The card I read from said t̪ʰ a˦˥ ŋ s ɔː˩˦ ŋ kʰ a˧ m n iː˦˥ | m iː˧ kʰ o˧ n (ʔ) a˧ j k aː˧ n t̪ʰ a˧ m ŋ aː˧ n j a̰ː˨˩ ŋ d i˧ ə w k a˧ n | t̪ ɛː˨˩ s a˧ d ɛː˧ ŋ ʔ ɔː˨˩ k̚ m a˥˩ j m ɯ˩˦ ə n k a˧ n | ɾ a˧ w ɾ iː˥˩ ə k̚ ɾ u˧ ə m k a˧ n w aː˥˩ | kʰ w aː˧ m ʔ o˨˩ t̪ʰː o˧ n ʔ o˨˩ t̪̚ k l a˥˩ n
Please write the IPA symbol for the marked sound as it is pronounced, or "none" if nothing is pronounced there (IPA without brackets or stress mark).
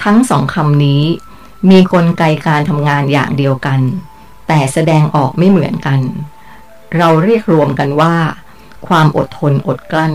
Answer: k